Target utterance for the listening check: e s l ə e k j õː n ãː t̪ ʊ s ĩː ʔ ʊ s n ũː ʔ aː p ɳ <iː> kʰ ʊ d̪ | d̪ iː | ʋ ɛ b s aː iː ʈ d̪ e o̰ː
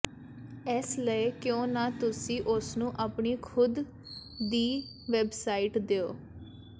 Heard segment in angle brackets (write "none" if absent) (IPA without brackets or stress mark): iː